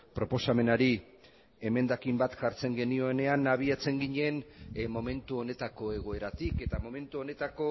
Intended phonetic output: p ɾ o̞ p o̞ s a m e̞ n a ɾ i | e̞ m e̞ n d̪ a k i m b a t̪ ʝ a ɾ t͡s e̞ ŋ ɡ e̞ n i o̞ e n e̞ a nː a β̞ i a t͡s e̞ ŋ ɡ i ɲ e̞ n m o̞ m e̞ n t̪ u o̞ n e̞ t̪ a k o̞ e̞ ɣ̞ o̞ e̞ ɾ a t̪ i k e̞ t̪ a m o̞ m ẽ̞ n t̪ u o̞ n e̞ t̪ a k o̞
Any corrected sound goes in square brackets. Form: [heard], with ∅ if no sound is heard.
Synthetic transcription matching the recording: p ɾ o̞ p o̞ s a m e̞ n a ɾ i | e̞ m e̞ n d̪ a k i m b a t̪ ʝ a ɾ t͡s e̞ ŋ ɡ e̞ n i o̞ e n e̞ a [n] a β̞ i a t͡s e̞ ŋ ɡ i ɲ e̞ n m o̞ m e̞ n t̪ u o̞ n e̞ t̪ a k o̞ e̞ ɣ̞ o̞ e̞ ɾ a t̪ i k e̞ t̪ a m o̞ m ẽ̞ n t̪ u o̞ n e̞ t̪ a k o̞

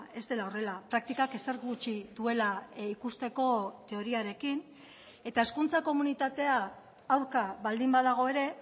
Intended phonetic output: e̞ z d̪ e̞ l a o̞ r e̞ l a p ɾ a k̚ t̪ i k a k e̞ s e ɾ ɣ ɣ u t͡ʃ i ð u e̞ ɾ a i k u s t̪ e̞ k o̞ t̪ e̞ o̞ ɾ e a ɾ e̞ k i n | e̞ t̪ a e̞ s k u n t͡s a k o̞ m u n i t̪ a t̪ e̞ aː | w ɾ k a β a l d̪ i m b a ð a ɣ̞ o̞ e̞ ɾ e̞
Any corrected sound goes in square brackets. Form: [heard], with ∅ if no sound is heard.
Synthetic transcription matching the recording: e̞ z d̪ e̞ l a o̞ r e̞ l a p ɾ a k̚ t̪ i k a k e̞ s e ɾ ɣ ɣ u t͡ʃ i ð u e̞ [l] a i k u s t̪ e̞ k o̞ t̪ e̞ o̞ ɾ [i] a ɾ e̞ k i n | e̞ t̪ a e̞ s k u n t͡s a k o̞ m u n i t̪ a t̪ e̞ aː | w ɾ k a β a l d̪ i m b a ð a ɣ̞ o̞ e̞ ɾ e̞

